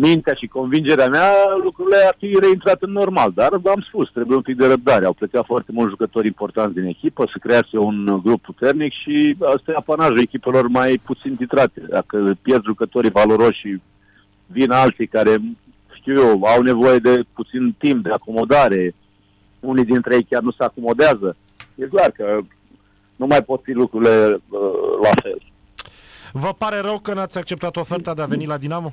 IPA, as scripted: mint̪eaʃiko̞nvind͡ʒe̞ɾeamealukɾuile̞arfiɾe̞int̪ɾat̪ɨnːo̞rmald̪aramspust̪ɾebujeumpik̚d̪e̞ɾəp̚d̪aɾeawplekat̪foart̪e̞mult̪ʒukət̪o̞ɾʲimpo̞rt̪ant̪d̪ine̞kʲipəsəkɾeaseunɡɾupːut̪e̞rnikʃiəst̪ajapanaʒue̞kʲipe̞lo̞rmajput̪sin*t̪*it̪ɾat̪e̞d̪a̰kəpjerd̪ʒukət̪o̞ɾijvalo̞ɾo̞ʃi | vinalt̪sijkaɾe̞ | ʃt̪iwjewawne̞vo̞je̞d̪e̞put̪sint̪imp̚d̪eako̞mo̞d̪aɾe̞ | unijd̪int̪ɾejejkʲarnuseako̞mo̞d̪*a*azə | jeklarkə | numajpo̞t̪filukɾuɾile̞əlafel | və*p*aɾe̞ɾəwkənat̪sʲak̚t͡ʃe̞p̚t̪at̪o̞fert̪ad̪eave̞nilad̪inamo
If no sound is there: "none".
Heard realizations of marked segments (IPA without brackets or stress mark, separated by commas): t̪, e, p